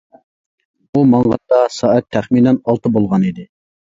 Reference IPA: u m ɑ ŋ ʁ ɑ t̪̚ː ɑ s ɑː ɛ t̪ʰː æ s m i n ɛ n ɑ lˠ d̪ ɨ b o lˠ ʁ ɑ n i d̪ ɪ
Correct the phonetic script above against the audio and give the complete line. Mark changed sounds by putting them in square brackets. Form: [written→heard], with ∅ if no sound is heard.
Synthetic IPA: u m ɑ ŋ ʁ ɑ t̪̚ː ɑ s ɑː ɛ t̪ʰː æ [s→χ] m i n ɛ n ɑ lˠ [d̪→t̪] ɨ b o lˠ ʁ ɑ n i d̪ ɪ